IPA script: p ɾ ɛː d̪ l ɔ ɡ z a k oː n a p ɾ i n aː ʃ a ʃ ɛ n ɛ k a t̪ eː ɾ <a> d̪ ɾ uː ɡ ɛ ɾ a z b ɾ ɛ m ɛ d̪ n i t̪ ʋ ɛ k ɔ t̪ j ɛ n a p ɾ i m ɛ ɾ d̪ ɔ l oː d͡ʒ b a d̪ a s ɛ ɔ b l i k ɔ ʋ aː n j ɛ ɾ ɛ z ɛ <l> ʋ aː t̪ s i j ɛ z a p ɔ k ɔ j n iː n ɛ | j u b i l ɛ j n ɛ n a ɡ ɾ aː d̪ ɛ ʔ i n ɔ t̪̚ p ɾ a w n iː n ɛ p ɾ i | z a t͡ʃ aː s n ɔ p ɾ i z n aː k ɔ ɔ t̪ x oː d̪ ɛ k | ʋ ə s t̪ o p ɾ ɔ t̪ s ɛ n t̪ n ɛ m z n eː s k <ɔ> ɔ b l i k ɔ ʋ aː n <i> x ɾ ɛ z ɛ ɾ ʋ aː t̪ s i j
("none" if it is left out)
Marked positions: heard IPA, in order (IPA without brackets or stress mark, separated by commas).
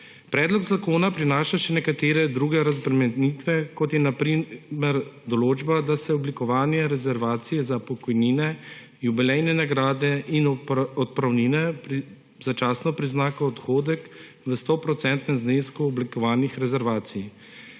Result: ɛ, ɾ, u, i